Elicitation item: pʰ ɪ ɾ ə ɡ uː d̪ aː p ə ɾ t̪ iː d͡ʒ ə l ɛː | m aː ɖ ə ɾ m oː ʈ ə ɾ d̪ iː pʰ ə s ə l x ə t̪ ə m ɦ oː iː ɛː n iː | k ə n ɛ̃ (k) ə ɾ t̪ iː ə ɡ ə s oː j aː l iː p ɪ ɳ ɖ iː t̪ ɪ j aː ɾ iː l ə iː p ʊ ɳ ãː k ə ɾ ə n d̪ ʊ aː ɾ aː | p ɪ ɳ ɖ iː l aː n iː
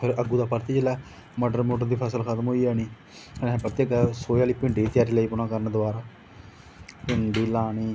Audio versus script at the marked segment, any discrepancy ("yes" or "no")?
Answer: yes